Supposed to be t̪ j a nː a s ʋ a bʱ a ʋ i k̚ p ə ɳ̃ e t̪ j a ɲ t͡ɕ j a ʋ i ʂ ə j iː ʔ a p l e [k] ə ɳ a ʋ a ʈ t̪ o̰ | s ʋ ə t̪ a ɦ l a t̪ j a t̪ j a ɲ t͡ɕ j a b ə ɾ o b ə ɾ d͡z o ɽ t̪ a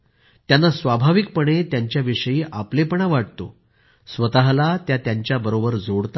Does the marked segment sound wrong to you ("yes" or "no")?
yes